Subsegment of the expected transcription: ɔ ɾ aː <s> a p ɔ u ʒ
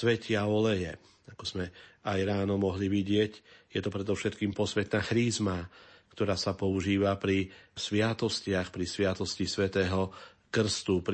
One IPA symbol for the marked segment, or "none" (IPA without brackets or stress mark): s